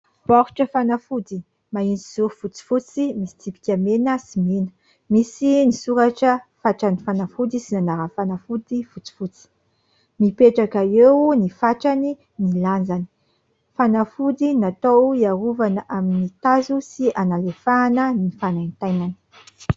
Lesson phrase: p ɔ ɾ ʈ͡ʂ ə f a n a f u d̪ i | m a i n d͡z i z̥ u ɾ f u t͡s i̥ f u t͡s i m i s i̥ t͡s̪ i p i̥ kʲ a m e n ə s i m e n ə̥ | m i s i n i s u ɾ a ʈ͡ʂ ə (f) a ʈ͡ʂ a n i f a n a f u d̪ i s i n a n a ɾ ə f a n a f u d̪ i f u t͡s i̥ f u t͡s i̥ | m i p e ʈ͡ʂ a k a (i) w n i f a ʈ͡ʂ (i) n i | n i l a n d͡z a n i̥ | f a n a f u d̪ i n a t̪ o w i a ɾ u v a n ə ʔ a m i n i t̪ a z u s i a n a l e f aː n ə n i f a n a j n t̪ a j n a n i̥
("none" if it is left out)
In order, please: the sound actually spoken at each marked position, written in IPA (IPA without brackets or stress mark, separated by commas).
f, e, a